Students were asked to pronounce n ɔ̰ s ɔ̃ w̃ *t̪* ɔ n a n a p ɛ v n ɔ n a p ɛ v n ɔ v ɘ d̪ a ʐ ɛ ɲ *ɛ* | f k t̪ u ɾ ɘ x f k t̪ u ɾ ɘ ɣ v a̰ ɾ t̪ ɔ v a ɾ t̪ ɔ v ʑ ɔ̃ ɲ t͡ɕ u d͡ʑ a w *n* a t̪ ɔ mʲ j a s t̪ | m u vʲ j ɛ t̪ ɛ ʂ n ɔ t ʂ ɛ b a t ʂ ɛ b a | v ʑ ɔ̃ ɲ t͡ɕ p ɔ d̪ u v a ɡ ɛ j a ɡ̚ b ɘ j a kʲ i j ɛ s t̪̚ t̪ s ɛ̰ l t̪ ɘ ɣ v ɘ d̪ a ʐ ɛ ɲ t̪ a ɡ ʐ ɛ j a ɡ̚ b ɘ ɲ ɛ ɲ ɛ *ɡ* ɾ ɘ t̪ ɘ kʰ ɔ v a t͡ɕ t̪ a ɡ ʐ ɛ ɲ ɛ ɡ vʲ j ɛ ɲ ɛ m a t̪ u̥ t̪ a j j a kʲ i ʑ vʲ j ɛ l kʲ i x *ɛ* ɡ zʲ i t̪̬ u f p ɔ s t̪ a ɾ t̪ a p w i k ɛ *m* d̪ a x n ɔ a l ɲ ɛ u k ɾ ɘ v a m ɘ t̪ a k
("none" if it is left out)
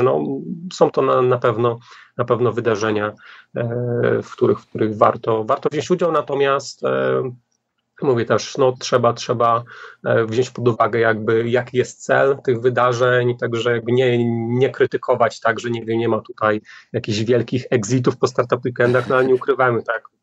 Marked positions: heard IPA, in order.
t̪, a, n, k, ɛ, n

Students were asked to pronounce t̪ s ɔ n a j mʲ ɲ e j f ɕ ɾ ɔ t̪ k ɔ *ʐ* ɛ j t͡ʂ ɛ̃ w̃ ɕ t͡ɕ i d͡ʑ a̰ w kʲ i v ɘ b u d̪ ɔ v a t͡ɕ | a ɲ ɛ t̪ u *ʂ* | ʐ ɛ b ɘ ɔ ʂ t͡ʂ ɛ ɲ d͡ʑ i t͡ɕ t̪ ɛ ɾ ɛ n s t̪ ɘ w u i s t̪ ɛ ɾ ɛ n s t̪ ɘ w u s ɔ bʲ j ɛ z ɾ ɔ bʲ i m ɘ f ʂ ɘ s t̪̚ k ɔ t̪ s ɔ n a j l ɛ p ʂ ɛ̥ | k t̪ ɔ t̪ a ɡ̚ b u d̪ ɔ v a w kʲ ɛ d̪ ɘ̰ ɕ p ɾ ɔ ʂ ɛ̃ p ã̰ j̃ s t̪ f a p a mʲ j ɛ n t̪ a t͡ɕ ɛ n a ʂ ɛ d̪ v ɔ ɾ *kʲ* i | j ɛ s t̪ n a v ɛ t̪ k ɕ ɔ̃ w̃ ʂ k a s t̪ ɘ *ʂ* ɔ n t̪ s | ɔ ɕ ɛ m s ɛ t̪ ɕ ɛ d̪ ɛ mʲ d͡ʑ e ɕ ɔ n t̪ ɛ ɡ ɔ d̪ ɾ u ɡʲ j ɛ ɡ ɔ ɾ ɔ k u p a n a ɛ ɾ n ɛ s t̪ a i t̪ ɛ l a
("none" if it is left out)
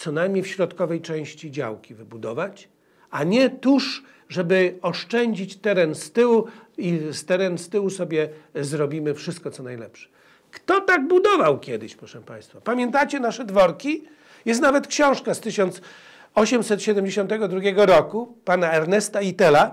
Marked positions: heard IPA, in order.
v, ʂ, kʲ, ɕ

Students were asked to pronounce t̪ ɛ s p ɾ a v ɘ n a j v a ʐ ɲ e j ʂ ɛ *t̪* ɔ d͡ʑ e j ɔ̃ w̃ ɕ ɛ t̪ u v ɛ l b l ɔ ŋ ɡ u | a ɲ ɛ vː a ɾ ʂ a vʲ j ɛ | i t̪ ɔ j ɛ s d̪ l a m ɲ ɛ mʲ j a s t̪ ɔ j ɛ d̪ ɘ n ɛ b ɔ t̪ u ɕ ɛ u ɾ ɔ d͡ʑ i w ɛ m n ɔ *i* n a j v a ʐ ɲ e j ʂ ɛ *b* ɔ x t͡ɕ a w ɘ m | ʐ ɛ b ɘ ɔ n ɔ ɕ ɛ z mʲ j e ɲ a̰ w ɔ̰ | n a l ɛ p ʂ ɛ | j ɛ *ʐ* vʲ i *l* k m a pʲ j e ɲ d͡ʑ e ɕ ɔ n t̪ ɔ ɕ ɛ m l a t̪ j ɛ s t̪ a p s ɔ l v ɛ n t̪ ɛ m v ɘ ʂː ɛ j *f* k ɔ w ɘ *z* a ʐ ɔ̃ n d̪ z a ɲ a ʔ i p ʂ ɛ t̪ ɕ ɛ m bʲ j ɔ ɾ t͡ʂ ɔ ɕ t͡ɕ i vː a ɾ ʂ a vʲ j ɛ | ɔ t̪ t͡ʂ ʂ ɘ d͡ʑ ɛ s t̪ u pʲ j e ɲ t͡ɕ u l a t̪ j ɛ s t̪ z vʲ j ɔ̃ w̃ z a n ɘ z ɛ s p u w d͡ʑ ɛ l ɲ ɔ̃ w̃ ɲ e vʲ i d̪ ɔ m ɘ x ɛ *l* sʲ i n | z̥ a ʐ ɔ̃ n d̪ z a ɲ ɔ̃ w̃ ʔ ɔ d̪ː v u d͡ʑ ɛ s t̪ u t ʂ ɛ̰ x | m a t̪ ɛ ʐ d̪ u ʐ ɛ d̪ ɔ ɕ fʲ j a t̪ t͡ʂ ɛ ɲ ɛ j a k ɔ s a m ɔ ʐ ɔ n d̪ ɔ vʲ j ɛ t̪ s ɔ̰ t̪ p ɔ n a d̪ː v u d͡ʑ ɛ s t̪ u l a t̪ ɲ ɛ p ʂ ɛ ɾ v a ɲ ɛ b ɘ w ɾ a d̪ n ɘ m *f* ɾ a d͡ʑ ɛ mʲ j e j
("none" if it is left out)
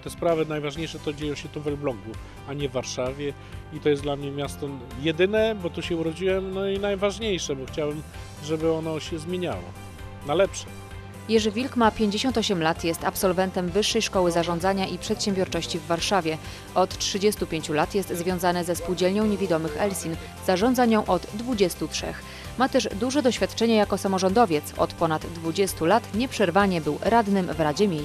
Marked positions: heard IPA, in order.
t̪, i, b, ʐ, l, ʂ, z, l, v

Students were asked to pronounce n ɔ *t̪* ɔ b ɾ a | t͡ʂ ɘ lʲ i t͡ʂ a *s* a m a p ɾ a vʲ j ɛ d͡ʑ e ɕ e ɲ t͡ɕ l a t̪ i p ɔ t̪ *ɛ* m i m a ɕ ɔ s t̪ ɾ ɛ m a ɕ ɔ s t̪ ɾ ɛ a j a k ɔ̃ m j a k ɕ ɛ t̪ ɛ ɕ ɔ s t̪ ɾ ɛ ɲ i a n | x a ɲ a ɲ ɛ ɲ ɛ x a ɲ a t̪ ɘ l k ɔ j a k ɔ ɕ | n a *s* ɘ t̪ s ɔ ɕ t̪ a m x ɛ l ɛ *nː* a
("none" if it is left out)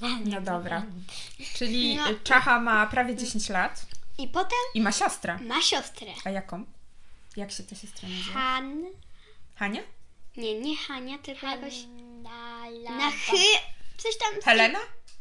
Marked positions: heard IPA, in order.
d̪, x, ɛ, x, n

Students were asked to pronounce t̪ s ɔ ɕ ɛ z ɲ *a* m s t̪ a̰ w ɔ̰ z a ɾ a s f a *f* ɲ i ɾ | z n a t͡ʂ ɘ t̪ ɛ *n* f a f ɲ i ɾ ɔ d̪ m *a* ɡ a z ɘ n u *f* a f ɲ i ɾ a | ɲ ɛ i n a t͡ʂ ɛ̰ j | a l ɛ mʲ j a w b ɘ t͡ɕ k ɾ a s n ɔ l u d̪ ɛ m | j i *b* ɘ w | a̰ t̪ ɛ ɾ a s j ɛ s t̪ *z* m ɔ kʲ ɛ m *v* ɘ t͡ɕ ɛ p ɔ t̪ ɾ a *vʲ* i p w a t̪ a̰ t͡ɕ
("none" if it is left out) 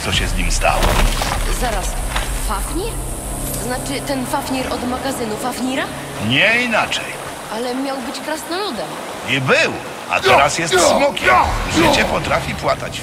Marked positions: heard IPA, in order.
i, f, n, a, f, b, s, ʐ, fʲ

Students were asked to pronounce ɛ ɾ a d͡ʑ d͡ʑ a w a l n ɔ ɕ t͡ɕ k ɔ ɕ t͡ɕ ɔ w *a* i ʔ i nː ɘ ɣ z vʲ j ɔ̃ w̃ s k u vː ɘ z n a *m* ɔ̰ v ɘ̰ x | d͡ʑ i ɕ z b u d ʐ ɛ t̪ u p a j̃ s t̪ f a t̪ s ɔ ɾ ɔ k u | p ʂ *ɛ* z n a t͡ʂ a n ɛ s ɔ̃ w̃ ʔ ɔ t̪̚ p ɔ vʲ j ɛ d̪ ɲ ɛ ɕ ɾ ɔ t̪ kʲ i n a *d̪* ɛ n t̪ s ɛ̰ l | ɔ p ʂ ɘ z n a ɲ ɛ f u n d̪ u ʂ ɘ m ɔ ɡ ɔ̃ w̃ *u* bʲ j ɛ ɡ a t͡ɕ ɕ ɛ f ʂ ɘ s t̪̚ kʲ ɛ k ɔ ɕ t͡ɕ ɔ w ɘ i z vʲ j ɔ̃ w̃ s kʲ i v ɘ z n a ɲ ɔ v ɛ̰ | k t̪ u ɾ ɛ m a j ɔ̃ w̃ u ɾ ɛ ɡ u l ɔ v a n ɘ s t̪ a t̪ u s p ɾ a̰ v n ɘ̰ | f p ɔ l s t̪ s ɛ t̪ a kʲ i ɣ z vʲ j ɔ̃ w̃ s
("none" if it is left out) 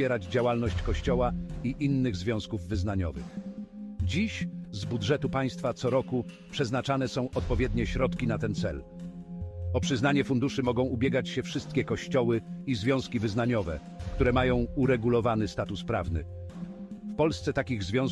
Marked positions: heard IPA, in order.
a, ɲ, ɛ, t̪, u

